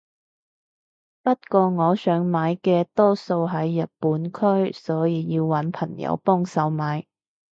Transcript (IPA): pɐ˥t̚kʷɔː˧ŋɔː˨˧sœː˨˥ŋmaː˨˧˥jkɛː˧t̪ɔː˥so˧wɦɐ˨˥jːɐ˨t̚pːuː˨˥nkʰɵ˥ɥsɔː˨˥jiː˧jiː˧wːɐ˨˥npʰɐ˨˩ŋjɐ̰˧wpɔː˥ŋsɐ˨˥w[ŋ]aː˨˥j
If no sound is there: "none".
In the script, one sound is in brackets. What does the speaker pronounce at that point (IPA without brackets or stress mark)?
m